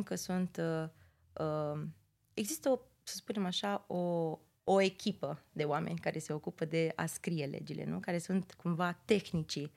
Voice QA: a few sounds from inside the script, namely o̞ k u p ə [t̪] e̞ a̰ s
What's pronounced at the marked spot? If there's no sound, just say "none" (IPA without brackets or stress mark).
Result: d̪